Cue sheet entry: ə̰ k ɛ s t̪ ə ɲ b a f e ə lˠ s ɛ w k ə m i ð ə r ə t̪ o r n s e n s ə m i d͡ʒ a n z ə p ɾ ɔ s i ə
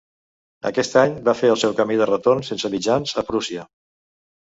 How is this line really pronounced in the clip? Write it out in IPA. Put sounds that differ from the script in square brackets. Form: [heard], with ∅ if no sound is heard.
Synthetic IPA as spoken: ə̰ k ɛ s t̪ [a] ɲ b a f e ə lˠ s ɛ w k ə m i ð ə r ə t̪ o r n s e n s ə m i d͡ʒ a n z ə p ɾ [u] s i ə